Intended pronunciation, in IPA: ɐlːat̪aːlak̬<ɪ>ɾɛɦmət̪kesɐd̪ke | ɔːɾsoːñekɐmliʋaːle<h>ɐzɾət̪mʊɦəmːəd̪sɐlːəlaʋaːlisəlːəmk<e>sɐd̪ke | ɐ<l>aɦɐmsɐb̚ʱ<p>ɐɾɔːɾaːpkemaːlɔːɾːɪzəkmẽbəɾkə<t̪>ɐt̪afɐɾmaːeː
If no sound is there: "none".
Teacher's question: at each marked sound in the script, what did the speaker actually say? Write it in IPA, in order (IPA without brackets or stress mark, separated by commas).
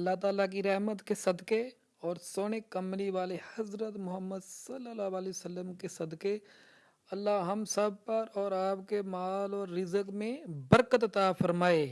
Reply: i, h, e, lː, p, t̪